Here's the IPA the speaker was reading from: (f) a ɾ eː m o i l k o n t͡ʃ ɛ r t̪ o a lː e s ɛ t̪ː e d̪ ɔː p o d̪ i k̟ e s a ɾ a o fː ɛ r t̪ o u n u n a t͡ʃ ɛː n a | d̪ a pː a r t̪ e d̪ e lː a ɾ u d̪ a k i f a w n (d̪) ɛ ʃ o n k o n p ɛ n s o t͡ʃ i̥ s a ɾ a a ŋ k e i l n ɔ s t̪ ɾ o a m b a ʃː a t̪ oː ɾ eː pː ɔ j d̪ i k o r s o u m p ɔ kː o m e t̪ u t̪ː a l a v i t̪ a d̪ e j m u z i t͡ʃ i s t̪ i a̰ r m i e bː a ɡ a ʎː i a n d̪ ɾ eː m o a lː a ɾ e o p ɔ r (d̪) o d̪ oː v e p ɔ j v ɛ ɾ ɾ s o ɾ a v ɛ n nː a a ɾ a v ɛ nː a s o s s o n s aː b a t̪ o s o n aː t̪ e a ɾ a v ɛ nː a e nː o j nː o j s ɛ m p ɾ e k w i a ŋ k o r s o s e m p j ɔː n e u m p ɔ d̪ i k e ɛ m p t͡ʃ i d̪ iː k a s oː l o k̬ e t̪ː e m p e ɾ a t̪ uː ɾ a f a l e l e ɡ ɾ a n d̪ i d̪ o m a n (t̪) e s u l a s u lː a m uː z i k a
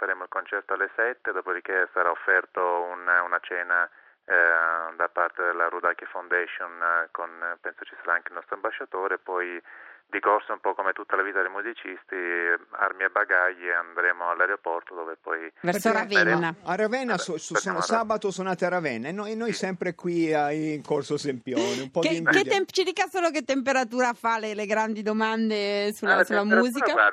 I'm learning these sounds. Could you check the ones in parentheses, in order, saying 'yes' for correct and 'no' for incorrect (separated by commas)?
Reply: yes, yes, no, no